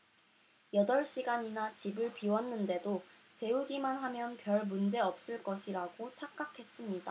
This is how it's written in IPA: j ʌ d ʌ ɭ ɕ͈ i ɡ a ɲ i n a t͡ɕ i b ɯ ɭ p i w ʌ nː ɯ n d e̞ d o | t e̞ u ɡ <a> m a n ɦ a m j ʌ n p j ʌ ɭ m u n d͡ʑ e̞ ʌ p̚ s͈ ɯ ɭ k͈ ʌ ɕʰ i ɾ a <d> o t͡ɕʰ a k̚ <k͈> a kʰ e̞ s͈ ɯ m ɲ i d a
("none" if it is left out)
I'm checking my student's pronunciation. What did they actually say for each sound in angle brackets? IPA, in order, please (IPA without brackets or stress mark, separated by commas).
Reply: i, ɡ, k͈